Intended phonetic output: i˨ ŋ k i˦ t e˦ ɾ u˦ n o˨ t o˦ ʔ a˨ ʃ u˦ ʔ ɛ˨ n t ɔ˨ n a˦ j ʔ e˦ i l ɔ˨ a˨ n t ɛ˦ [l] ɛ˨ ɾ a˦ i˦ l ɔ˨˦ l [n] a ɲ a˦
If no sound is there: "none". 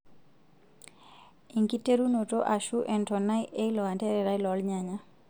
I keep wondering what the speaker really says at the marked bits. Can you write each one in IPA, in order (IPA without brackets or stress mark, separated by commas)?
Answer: ɾ, ɲ